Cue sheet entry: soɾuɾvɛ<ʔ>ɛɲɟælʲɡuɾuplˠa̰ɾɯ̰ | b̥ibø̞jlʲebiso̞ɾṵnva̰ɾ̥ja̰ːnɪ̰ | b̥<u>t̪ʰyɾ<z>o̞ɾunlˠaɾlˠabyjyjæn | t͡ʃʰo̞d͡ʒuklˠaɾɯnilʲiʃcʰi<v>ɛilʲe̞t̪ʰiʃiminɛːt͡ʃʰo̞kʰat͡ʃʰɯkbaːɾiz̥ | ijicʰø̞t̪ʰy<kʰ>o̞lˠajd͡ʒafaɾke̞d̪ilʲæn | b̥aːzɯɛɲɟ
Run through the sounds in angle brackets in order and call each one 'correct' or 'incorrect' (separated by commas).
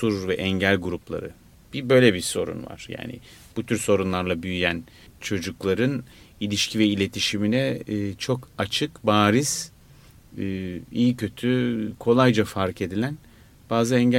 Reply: correct, correct, incorrect, correct, correct